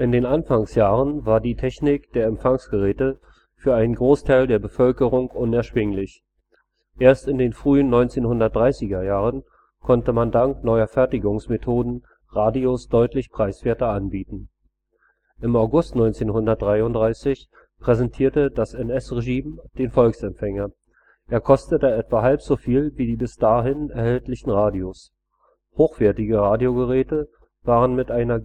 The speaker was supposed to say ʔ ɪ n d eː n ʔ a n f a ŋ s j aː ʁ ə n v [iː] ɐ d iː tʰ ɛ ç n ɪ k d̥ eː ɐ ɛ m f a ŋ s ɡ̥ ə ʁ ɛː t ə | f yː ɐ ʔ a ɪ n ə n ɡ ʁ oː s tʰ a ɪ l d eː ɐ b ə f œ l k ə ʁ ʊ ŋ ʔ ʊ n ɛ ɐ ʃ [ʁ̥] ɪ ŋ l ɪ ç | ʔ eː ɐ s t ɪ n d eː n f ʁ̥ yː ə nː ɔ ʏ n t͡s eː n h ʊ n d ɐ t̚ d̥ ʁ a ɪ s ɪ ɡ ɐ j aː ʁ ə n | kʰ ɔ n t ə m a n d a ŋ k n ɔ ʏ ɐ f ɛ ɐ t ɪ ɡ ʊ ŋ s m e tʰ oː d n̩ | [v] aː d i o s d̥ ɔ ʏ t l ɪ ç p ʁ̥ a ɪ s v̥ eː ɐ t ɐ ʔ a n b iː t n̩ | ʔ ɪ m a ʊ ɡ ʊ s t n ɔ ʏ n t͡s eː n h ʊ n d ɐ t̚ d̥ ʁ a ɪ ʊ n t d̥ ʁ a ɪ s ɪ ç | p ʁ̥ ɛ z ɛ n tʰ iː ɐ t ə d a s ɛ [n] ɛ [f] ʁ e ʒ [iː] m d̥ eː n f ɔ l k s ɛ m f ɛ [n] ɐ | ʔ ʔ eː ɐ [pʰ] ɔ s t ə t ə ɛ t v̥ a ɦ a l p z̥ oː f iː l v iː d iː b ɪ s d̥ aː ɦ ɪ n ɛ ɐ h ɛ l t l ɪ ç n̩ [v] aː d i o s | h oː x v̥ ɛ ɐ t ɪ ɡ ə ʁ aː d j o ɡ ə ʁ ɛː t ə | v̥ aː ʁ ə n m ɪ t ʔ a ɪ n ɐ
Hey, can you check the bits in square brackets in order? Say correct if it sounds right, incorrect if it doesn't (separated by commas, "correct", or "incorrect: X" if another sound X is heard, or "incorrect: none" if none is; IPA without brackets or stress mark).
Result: incorrect: aː, incorrect: v̥, incorrect: ʁ, correct, incorrect: s, correct, incorrect: ŋ, incorrect: kʰ, incorrect: ʁ